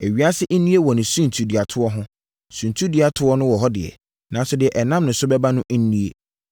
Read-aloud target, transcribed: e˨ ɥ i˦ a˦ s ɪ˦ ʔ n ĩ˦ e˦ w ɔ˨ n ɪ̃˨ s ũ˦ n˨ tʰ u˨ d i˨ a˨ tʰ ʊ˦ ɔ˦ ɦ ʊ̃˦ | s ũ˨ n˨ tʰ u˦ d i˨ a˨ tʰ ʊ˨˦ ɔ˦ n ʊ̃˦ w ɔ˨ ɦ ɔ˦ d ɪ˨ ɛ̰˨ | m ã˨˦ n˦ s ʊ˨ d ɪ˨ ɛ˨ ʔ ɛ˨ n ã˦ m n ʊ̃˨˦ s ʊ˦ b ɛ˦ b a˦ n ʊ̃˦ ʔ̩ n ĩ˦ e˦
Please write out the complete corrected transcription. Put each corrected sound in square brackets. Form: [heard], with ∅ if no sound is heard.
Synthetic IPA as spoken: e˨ ɥ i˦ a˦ s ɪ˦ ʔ n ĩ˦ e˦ w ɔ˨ n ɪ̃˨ s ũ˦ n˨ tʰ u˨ d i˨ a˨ tʰ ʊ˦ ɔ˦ ɦ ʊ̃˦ | s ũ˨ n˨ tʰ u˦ d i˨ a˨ tʰ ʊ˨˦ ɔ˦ n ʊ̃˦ w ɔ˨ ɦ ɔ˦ d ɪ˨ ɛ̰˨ | [n] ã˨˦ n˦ s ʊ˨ d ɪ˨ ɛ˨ ʔ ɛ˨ n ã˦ m n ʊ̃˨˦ s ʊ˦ b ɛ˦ b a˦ n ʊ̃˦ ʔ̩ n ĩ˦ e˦